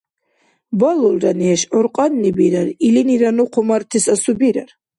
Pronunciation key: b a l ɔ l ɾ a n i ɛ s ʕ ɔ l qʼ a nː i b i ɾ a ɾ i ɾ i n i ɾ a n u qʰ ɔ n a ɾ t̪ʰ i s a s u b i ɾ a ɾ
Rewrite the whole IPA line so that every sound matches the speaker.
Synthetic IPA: b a l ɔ l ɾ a n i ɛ ʃ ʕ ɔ ɾ qʼ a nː i b i ɾ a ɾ i l i n i ɾ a n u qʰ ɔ m a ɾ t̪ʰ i s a s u b i ɾ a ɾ